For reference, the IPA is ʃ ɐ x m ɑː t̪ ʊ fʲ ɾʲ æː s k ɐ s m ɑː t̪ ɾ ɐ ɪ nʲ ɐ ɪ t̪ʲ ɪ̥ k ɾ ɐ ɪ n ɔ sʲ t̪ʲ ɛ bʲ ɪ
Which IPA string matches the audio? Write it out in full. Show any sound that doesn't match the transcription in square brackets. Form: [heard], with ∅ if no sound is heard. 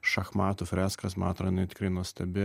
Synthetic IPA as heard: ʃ ɐ x m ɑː t̪ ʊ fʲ ɾʲ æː s k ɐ s m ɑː t̪ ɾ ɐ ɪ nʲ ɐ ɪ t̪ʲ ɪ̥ k ɾ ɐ ɪ n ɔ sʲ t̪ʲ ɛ bʲ ɪ